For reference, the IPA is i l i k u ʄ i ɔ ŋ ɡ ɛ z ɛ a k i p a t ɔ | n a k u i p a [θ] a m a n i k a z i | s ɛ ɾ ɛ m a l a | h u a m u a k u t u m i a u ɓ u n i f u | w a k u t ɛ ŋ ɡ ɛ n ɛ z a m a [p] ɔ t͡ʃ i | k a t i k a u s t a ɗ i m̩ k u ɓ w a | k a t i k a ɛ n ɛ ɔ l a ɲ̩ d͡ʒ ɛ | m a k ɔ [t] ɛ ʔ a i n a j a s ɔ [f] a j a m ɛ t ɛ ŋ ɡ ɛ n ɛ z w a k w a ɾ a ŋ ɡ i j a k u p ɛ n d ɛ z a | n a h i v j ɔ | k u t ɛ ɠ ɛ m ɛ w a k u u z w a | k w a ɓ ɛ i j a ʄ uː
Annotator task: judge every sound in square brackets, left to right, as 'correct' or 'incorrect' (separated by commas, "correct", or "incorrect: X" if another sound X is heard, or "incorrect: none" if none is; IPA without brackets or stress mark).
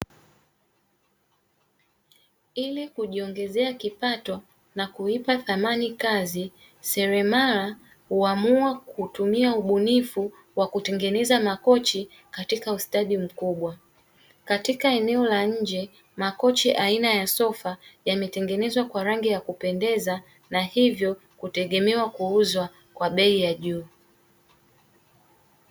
correct, incorrect: k, incorrect: t͡ʃ, correct